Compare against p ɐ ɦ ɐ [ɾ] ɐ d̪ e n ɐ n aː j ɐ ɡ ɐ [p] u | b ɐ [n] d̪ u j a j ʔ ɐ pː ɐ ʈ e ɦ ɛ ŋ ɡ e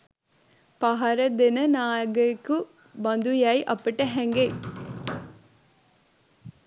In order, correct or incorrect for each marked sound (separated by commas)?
correct, incorrect, correct